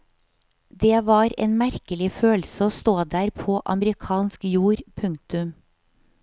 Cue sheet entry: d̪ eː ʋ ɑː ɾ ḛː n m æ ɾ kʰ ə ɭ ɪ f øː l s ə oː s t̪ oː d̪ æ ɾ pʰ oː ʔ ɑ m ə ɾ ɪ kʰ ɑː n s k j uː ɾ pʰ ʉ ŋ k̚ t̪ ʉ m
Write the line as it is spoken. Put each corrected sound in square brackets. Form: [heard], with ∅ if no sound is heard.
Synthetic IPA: d̪ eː ʋ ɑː ɾ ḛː n m æ ɾ [k] ə [l] ɪ f øː l s ə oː s t̪ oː d̪ [æː] ɾ pʰ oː ʔ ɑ m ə ɾ ɪ kʰ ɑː n s k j uː ɾ pʰ ʉ ŋ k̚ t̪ ʉ m